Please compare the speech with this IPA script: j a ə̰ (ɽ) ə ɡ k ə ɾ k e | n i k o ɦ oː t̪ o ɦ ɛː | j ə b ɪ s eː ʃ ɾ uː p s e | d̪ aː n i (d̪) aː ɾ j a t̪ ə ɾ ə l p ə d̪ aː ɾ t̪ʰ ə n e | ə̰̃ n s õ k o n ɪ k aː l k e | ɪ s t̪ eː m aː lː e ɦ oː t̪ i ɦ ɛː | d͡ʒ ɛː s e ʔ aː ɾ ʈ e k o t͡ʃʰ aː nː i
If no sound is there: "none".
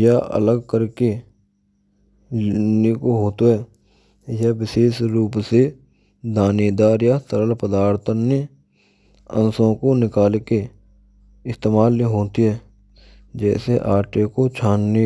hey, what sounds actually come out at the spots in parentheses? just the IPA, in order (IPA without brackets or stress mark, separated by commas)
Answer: l, d̪